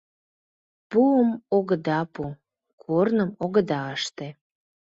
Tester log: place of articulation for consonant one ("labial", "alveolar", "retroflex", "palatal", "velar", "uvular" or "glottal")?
labial